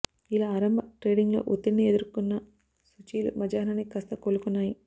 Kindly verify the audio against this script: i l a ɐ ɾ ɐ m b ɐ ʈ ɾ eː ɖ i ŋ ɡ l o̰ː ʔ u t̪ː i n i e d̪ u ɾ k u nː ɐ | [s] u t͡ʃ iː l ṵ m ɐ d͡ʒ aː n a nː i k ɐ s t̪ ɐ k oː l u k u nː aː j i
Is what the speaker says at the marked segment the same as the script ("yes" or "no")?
yes